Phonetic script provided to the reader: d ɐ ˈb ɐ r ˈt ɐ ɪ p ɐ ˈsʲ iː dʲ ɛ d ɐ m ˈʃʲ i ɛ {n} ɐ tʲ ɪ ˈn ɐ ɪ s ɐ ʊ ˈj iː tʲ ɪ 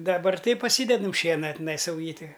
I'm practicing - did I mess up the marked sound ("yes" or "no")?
no